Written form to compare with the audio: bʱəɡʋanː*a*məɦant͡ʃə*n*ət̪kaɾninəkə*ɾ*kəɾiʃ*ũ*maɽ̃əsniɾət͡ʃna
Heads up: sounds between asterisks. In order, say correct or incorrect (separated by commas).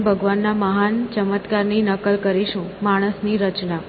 correct, incorrect, incorrect, correct